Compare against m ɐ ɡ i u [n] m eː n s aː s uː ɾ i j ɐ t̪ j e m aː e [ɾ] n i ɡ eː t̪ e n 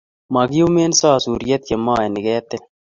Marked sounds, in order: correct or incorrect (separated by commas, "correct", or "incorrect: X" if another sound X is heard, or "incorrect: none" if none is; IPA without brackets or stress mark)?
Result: incorrect: none, incorrect: none